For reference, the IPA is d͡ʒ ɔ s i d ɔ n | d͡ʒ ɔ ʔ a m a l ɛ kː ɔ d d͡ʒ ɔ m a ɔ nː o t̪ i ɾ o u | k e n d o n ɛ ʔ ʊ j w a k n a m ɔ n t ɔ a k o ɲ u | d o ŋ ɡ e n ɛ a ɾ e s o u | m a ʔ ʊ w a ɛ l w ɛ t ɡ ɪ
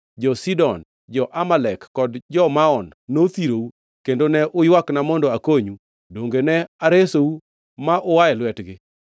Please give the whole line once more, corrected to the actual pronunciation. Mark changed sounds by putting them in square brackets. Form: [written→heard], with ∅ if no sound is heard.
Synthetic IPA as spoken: d͡ʒ ɔ s i d ɔ n | d͡ʒ ɔ ʔ a m a l ɛ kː ɔ d d͡ʒ ɔ m a ɔ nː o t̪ i ɾ o u | k e n d o n ɛ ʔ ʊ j w a k n a m ɔ n [t→d] ɔ a k o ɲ u | d o ŋ ɡ e n ɛ a ɾ e s o u | m a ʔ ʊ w a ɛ l w ɛ t ɡ ɪ